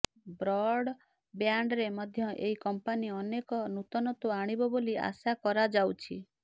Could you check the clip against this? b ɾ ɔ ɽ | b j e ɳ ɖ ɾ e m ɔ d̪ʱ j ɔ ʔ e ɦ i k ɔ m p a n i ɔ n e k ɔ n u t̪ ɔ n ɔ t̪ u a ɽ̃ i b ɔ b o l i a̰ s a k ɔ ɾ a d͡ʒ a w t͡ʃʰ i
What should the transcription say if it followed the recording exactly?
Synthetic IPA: b ɾ ɔ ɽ | b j a ɳ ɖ ɾ e m ɔ d̪ʱ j ɔ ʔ e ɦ i k ɔ m p a n i ɔ n e k ɔ n u t̪ ɔ n ɔ t̪ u a ɽ̃ i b ɔ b o l i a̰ s a k ɔ ɾ a d͡ʒ a w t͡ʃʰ i